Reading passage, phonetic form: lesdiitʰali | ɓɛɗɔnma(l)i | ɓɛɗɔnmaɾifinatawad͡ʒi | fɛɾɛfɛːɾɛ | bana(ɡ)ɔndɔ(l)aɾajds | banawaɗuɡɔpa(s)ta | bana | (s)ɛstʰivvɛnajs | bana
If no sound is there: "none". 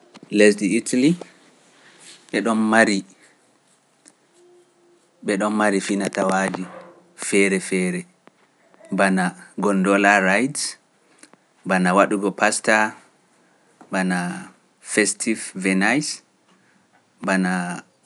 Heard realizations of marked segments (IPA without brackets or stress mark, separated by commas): ɾ, ɡ, l, s, f